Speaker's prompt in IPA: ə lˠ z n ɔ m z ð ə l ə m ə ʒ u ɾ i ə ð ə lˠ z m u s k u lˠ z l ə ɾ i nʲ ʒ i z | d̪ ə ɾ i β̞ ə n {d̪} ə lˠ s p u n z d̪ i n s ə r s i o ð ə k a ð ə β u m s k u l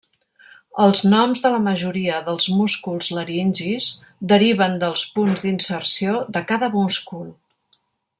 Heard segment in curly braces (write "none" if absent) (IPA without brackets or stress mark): d̪